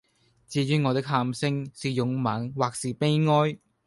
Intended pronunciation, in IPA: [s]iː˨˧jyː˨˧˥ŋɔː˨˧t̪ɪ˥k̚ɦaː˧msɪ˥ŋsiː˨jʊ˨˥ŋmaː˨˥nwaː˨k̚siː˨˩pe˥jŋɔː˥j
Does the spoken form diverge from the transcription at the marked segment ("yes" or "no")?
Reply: yes